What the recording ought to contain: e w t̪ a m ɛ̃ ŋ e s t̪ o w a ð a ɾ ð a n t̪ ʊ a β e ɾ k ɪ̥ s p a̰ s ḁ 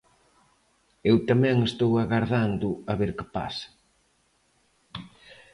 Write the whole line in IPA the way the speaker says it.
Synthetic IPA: e w t̪ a m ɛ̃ ŋ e s t̪ o w a ɣ a ɾ ð a n d̪ ʊ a β e ɾ k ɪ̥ p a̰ s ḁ

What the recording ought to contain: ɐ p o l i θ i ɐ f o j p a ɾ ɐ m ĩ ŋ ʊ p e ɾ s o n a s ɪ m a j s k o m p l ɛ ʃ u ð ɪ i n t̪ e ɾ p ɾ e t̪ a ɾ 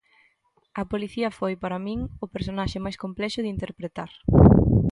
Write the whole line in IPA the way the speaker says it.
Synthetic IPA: ɐ p o l i θ i ɐ f o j p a ɾ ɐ m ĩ ŋ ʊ p e ɾ s o n a ʃ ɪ m a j s k o m p l ɛ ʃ ʊ ð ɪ i n t̪ e ɾ p ɾ e t̪ a ɾ

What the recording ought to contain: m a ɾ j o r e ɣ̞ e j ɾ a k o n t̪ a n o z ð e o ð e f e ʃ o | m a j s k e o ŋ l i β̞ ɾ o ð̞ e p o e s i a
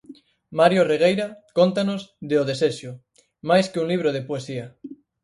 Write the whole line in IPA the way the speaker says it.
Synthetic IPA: m a ɾ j o r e ɣ̞ e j ɾ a k o n t̪ a n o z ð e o ð e s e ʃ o | m a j s k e u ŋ l i β̞ ɾ o ð̞ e p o e s i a

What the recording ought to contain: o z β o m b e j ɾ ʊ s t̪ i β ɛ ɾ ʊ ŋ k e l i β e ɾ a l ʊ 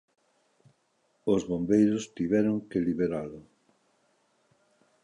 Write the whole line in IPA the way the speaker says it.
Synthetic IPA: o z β o m b e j ɾ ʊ s t̪ i β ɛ ɾ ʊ ŋ k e l i β e ɾ a l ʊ

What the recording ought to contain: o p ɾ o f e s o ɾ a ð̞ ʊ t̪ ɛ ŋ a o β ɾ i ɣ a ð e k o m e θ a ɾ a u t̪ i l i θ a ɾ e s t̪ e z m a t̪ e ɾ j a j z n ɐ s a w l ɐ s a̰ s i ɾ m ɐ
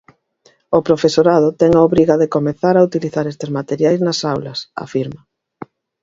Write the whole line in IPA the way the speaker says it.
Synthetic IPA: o p ɾ o f e s o ɾ a ð̞ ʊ t̪ ɛ ŋ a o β ɾ i ɣ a ð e k o m e θ a ɾ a u t̪ i l i θ a ɾ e s t̪ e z m a t̪ e ɾ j a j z n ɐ s a w l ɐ s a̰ f i ɾ m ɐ

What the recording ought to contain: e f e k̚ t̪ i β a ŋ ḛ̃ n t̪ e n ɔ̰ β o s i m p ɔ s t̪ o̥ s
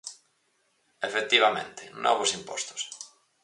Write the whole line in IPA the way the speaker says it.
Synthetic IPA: e f e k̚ t̪ i β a m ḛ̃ n t̪ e n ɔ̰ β o s i m p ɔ s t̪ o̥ s

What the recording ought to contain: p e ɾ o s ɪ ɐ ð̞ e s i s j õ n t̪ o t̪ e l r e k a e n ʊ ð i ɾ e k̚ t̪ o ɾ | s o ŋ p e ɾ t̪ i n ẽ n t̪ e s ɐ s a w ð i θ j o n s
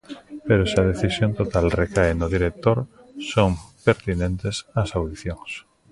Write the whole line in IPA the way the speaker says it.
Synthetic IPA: p e ɾ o s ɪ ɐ ð̞ e θ i s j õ n t̪ o t̪ a l r e k a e n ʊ ð i ɾ e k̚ t̪ o ɾ | s o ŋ p e ɾ t̪ i n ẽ n t̪ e s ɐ s a w ð i θ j o ŋ s

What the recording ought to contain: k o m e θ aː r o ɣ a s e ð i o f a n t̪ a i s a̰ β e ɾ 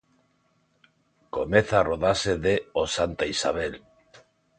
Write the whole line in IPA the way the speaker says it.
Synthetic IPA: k o m e θ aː r o ð a s e ð e o s a n t̪ a i s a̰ β e l

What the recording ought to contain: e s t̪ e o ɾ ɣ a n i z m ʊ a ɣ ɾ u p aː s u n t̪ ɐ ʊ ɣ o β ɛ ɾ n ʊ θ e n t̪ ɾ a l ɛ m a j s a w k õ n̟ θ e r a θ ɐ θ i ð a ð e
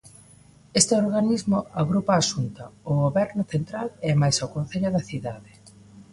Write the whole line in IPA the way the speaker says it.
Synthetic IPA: e s t̪ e o ɾ ɣ a n i z m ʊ a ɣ ɾ u p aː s u n t̪ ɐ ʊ ɣ o β ɛ ɾ n ʊ θ e n t̪ ɾ a l ɛ m a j s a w k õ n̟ θ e ʎ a ð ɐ θ i ð a ð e

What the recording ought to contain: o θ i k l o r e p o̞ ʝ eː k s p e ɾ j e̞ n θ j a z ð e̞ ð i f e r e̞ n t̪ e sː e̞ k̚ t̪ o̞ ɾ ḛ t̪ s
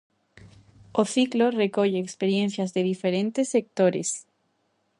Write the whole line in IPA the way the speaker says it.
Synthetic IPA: o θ i k l o r e k o̞ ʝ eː k s p e ɾ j e̞ n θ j a z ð e̞ ð i f e ɾ e̞ n t̪ e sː e̞ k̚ t̪ o̞ ɾ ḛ s

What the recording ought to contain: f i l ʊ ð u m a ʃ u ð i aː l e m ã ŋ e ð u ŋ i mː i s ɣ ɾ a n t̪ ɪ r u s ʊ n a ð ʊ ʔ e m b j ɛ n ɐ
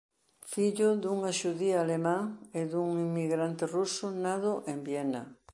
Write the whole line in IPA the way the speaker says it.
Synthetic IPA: f i ʎ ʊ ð u ŋ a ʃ u ð i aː l e m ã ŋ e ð u ŋ i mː i ɣ ɾ a n t̪ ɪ r u s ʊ n a ð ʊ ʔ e m b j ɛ n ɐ

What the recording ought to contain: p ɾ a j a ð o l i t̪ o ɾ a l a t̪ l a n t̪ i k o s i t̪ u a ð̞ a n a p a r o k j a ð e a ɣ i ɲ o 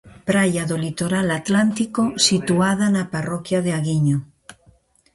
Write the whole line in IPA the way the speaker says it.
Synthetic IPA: p ɾ a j a ð o l i t̪ o ɾ a l a t̪ l a n t̪ i k o s i t̪ u a ð̞ a n a p a r o k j a ð e a ɣ i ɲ o

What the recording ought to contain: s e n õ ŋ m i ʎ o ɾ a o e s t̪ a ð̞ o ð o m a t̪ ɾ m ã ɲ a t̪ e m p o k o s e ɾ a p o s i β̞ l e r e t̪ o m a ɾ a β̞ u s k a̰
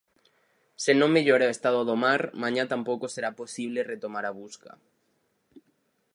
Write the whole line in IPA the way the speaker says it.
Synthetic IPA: s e n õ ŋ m e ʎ o ɾ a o e s t̪ a ð̞ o ð o m a ɾ m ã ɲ a t̪ a m p o k o s e ɾ a p o s i β̞ l e r e t̪ o m a ɾ a β̞ u s k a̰

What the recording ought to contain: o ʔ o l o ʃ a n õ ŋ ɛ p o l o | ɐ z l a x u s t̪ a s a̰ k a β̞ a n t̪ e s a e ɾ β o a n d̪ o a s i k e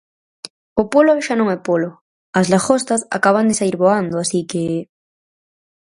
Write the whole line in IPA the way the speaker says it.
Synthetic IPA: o p o l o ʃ a n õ ŋ ɛ p o l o | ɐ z l a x o s t̪ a s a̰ k a β̞ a n d̪ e s a i ɾ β o a n d̪ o a s i k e

